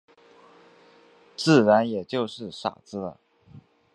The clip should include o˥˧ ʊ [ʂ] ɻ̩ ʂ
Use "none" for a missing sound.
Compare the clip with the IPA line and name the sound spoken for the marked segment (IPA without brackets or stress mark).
ʂ